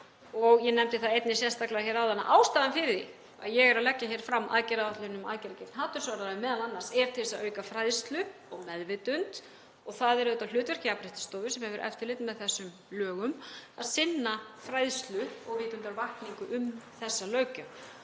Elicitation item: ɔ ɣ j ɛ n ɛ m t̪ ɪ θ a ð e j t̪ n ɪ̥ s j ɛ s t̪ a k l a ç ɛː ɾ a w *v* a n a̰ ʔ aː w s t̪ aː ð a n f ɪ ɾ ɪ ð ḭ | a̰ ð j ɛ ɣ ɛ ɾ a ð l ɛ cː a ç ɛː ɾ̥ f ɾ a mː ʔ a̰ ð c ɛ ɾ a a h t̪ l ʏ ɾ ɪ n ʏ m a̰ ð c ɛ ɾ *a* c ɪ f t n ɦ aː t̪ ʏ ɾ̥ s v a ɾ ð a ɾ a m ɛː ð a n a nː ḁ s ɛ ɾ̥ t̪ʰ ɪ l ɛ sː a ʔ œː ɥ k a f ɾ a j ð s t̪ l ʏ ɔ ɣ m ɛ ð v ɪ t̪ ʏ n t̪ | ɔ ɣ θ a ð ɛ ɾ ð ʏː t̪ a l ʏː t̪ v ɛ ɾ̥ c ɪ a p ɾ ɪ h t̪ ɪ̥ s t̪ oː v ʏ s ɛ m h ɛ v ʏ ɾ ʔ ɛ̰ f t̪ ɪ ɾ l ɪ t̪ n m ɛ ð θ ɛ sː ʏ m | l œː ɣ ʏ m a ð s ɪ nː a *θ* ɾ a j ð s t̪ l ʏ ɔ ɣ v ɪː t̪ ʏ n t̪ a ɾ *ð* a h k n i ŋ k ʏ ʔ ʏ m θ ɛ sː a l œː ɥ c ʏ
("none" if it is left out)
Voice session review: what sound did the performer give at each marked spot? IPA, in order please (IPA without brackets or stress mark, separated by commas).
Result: ð, a, f, v